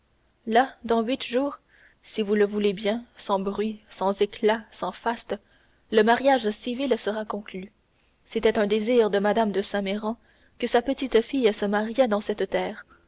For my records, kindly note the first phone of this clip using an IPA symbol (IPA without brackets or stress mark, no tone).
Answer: l